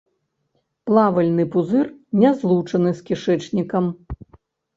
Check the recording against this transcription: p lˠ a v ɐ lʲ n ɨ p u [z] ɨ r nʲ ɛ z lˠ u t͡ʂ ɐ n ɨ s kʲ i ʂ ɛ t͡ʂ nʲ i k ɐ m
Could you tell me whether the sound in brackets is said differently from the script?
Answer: no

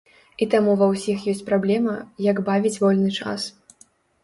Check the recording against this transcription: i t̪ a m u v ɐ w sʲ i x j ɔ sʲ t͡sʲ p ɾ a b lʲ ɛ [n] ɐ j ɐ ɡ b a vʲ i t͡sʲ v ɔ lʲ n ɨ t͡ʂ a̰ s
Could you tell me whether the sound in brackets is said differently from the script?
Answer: yes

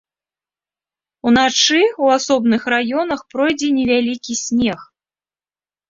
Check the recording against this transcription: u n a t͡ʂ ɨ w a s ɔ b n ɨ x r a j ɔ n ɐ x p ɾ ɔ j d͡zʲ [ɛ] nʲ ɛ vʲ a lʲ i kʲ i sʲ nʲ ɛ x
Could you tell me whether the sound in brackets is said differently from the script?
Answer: no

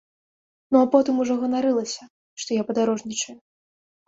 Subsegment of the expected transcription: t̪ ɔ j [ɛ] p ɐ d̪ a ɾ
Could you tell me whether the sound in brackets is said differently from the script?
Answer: yes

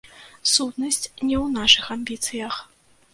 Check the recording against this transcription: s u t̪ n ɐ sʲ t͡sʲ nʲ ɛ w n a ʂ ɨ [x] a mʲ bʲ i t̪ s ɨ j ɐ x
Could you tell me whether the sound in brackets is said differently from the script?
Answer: no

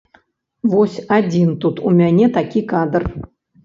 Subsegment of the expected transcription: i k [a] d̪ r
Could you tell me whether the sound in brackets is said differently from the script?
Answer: no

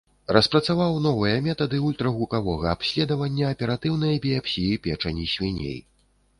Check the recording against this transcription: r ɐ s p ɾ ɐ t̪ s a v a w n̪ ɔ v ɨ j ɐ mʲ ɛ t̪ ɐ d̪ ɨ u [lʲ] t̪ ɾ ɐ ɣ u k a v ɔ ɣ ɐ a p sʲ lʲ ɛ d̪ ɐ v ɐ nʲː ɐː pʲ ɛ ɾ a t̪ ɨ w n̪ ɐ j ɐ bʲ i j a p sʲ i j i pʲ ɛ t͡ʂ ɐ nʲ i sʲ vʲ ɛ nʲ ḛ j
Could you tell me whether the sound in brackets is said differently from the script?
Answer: no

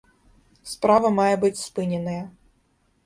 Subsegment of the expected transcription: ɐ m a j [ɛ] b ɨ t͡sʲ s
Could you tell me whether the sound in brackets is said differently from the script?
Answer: no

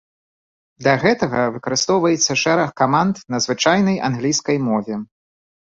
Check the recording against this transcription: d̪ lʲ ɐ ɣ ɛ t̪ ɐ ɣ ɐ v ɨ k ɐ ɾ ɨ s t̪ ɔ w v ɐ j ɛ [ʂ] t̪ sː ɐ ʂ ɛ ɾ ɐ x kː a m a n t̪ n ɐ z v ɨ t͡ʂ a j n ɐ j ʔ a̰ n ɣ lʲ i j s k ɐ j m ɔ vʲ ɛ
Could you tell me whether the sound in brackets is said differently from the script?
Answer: yes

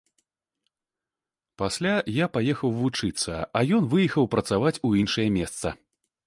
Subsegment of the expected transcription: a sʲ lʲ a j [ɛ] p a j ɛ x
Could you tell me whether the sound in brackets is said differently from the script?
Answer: yes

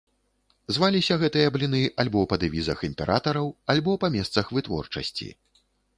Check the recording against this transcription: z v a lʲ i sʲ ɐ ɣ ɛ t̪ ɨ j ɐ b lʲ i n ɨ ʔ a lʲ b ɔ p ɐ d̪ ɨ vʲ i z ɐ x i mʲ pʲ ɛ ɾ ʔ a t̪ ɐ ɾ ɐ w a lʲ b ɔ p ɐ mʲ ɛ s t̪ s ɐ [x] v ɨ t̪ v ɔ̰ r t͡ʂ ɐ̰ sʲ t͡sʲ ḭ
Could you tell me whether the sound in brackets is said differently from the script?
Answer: no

